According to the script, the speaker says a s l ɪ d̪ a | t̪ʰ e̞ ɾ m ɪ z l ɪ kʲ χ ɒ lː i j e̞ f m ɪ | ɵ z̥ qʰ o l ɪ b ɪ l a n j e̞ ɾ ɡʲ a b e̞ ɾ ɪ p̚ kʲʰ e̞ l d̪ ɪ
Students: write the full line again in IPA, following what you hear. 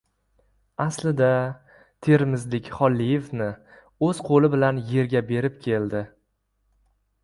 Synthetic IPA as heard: a s l ɪ d̪ a | t̪ʰ e̞ ɾ m ɪ z l ɪ kʲ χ ɒ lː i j e̞ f n ɪ | ɵ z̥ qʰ o l ɪ b ɪ l a n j e̞ ɾ ɡʲ a b e̞ ɾ ɪ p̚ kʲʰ e̞ l d̪ ɪ